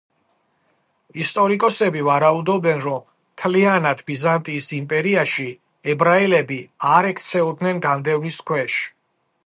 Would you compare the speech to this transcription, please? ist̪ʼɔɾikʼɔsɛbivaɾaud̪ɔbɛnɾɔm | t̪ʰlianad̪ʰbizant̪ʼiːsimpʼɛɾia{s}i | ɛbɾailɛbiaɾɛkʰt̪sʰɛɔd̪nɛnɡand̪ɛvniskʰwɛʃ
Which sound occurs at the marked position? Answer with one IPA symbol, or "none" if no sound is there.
ʃ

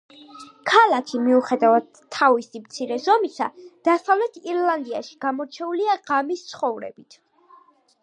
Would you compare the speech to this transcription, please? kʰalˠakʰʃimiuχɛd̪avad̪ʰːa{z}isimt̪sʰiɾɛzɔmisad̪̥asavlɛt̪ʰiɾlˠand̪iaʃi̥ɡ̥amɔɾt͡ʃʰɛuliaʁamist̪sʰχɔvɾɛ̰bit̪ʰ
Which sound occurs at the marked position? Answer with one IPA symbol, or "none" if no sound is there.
v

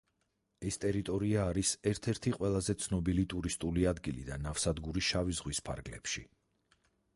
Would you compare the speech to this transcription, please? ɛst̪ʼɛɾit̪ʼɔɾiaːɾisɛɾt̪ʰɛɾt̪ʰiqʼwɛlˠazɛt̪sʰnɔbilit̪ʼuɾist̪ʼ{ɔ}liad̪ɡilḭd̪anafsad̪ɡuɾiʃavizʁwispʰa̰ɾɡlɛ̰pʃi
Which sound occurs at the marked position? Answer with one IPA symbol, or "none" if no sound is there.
u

